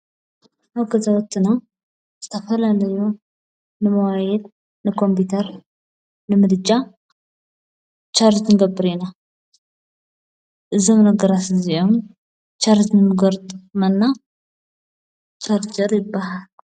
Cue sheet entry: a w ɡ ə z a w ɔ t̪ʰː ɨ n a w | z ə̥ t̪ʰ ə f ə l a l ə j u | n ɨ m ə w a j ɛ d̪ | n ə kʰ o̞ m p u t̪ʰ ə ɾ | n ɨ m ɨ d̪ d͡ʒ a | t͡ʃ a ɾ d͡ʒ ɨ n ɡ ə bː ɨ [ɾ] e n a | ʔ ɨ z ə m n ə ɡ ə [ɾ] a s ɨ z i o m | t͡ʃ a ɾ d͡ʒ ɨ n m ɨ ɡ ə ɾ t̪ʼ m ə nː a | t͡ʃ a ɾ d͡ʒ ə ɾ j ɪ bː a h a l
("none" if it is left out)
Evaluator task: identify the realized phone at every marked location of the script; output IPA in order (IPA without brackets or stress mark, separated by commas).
ɾ, ɾ